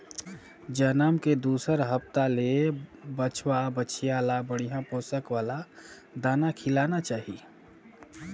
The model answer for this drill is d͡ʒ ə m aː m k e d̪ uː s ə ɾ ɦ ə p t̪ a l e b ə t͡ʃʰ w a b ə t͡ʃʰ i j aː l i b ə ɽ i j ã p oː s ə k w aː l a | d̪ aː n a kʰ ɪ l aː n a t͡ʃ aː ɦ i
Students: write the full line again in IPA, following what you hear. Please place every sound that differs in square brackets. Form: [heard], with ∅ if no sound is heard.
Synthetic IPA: d͡ʒ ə [n] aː m k e d̪ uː s ə ɾ ɦ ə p t̪ a l e b ə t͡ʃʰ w a b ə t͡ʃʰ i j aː l [a] b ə ɽ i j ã p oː s ə k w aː l a | d̪ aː n a kʰ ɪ l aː n a t͡ʃ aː ɦ i